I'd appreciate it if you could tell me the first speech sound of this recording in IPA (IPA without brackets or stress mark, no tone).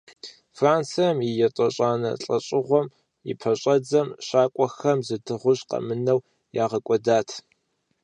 f